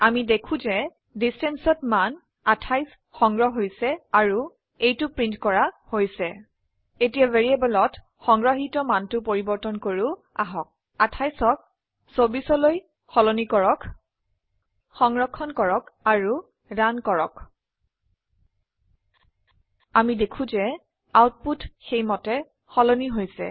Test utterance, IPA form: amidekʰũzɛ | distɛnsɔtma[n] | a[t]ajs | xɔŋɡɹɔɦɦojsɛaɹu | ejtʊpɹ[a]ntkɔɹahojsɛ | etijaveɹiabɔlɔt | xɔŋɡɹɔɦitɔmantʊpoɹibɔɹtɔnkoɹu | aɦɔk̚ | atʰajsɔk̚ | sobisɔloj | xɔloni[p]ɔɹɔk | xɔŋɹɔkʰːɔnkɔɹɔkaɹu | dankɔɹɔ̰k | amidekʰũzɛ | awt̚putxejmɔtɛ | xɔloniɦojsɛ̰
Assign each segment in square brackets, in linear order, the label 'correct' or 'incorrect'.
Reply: correct, incorrect, incorrect, incorrect

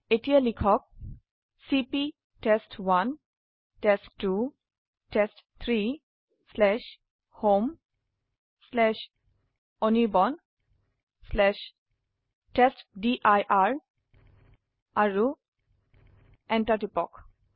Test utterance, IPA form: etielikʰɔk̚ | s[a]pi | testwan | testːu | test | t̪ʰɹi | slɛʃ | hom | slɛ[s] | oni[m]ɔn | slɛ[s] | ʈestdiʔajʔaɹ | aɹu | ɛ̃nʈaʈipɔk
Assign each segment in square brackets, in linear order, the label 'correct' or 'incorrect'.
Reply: incorrect, incorrect, incorrect, incorrect

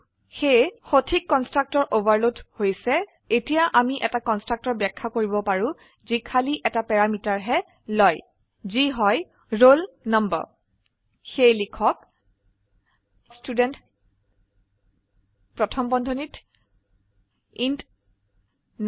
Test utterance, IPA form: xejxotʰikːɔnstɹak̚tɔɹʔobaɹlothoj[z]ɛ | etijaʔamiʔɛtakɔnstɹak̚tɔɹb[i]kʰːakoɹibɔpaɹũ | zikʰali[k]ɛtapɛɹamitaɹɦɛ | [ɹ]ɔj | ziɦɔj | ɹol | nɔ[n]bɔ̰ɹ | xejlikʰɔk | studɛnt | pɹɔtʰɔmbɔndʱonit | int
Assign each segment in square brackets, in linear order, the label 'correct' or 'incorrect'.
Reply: incorrect, incorrect, incorrect, incorrect, incorrect

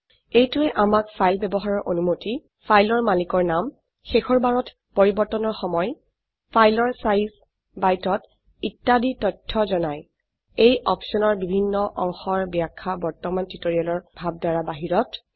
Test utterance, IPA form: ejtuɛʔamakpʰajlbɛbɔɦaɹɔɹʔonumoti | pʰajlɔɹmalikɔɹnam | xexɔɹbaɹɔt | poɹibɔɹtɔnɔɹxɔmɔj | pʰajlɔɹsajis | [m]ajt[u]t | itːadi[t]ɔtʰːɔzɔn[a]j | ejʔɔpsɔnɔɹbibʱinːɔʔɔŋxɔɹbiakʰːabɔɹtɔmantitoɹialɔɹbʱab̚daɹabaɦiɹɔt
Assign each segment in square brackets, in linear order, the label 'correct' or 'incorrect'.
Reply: incorrect, incorrect, correct, correct

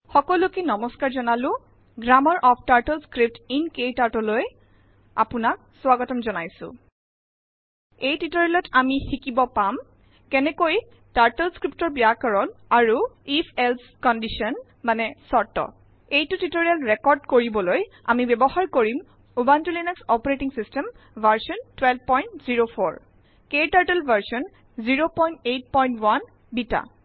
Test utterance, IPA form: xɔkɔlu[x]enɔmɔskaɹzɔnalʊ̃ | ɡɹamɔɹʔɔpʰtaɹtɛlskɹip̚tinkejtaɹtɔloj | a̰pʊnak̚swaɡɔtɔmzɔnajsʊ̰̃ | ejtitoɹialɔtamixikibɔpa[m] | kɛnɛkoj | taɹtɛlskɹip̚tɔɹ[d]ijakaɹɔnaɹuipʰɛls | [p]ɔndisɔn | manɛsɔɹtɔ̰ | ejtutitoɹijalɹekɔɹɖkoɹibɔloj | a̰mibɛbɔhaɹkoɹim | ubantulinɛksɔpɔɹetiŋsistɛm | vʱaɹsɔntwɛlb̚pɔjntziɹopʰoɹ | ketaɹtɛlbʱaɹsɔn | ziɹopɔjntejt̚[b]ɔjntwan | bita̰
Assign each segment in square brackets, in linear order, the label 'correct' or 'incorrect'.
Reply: incorrect, correct, incorrect, incorrect, incorrect

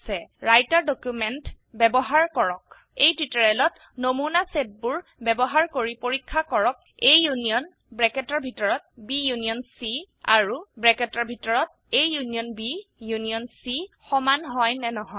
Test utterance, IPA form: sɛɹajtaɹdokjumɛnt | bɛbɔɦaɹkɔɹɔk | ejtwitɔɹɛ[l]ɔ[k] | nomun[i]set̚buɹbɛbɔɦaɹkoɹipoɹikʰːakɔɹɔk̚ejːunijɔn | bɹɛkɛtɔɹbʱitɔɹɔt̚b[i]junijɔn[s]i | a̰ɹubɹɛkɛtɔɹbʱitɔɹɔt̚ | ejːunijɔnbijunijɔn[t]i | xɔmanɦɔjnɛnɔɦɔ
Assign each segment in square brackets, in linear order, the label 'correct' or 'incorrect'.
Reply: correct, incorrect, incorrect, correct, correct, incorrect

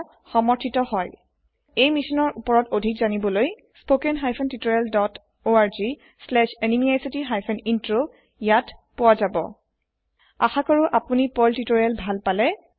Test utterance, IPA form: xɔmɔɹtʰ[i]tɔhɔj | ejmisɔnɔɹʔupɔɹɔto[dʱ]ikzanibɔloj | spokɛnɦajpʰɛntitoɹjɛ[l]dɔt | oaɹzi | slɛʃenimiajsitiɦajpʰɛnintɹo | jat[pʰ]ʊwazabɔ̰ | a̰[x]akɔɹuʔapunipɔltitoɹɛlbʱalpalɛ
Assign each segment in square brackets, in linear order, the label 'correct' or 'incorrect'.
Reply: correct, correct, correct, incorrect, correct

